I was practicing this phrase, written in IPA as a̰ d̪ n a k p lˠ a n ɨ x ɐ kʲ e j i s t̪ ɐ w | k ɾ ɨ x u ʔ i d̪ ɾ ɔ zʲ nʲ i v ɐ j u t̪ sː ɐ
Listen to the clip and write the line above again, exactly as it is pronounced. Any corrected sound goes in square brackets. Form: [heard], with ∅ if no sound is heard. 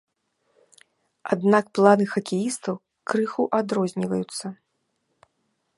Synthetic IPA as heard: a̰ d̪ n a k p lˠ a n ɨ x ɐ kʲ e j i s t̪ ɐ w | k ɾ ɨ x u ʔ [a] d̪ ɾ ɔ zʲ nʲ i v ɐ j u t̪ sː ɐ